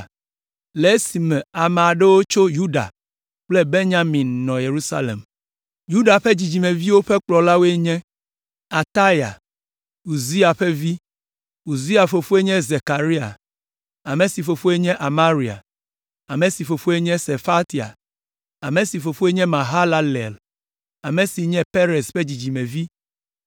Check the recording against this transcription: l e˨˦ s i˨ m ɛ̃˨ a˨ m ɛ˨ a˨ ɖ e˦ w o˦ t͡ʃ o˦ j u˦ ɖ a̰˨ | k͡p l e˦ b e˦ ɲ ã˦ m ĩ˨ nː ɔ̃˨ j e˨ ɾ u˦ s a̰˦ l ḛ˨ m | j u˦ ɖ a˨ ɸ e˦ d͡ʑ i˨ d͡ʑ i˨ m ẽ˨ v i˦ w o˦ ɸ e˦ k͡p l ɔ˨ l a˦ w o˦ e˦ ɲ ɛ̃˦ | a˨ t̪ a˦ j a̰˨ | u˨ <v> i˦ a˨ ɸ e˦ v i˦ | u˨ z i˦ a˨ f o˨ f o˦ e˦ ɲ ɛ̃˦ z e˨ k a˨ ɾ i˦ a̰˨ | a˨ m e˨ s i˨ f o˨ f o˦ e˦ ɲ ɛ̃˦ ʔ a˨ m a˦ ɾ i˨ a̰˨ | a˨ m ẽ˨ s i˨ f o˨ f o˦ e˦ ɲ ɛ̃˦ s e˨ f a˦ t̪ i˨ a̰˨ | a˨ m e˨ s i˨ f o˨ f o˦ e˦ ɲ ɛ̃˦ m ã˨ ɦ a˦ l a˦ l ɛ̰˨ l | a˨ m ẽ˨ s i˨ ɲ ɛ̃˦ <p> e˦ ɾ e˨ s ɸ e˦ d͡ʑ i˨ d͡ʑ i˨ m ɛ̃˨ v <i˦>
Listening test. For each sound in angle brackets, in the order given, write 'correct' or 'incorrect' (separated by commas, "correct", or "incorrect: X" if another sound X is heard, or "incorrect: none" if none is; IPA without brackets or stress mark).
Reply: incorrect: z, correct, correct